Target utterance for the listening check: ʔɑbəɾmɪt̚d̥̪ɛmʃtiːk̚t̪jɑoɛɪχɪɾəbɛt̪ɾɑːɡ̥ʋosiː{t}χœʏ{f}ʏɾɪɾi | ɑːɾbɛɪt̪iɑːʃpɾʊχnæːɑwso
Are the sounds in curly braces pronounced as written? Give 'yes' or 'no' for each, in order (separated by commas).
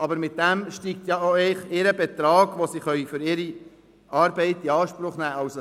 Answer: no, yes